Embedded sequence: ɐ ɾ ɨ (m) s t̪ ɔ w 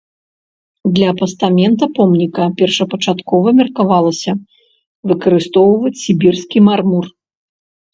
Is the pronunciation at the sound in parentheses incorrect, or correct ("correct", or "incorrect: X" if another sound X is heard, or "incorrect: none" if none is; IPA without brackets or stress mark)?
incorrect: none